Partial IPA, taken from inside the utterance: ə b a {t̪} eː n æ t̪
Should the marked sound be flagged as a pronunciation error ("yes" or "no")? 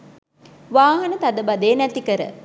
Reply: yes